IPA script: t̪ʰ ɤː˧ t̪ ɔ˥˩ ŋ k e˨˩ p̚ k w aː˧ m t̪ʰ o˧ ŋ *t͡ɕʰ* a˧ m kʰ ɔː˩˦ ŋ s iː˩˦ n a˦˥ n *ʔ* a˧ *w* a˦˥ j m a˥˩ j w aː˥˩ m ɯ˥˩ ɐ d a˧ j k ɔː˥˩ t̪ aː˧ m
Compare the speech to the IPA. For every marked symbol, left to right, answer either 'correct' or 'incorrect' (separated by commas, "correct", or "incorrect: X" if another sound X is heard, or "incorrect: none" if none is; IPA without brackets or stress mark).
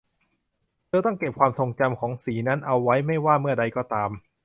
incorrect: t͡ɕ, correct, incorrect: wː